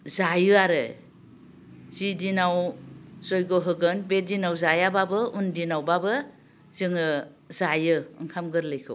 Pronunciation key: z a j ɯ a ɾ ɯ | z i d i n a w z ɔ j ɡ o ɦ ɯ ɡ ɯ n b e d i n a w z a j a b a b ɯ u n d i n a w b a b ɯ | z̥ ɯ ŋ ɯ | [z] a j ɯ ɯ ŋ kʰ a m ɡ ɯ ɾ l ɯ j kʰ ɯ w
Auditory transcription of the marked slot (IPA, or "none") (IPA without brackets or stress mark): z